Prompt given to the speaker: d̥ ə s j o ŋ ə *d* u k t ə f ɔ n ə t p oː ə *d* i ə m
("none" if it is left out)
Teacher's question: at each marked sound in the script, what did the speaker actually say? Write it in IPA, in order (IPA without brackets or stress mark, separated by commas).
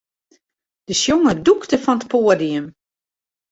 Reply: d, d